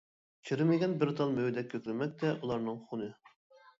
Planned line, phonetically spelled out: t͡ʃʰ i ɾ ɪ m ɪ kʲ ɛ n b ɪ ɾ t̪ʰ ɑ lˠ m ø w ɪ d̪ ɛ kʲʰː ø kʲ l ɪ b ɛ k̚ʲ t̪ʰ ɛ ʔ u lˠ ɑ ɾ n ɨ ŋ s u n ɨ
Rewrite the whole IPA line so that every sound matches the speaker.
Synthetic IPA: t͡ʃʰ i ɾ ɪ m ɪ ɡʲ ɛ n b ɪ ɾ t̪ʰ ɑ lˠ m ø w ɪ d̪ ɛ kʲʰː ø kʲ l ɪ m ɛ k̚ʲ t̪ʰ ɛ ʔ u lˠ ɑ ɾ n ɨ ŋ χ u n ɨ